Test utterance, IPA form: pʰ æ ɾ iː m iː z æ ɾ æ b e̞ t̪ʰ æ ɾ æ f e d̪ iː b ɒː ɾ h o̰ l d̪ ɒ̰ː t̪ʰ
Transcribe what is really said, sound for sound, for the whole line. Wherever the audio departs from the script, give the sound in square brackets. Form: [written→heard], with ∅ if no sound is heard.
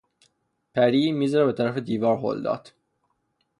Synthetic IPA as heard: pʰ æ ɾ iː m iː z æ ɾ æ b e̞ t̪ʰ æ ɾ æ f e d̪ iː [b→v] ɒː ɾ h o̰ l d̪ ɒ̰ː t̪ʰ